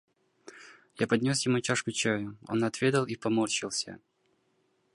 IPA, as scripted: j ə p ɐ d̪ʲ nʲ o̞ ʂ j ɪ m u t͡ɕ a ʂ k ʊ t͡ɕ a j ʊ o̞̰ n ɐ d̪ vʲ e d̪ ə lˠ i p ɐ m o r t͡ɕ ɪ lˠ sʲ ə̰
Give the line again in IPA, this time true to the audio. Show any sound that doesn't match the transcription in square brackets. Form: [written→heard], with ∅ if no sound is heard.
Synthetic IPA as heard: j [ə→a] p ɐ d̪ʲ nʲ o̞ [ʂ→s] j ɪ m u t͡ɕ a ʂ k ʊ t͡ɕ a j ʊ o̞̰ n ɐ [d̪→t̪] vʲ e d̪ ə lˠ i p ɐ m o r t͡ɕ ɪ lˠ sʲ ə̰